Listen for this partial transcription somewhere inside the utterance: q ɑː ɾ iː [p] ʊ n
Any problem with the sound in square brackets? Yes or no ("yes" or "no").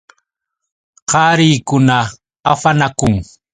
yes